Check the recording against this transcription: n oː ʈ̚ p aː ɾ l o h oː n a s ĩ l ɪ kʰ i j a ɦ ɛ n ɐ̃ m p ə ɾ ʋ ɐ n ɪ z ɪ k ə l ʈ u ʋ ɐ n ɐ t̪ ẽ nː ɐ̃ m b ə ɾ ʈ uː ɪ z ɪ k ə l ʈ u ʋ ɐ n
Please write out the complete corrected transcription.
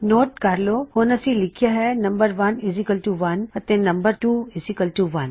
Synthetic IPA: n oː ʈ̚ k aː ɾ l o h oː n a s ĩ l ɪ kʰ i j a ɦ ɛ n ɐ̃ m b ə ɾ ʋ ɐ n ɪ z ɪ k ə l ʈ u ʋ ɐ n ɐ t̪ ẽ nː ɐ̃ m b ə ɾ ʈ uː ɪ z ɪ k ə l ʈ u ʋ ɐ n